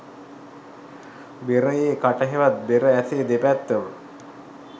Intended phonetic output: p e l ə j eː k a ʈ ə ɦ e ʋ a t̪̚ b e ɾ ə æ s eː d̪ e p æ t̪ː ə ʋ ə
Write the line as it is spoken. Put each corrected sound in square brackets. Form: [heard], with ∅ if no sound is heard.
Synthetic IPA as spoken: [b] e [ɾ] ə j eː k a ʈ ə ɦ e ʋ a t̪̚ b e ɾ ə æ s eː d̪ e p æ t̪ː ə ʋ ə